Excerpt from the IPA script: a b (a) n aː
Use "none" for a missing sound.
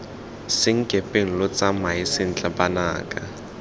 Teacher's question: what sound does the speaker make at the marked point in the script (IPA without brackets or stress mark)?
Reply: a